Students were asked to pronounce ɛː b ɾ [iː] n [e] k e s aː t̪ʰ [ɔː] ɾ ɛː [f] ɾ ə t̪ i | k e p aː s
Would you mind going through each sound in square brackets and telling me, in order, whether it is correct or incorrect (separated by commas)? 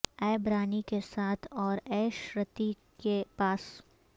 incorrect, incorrect, correct, incorrect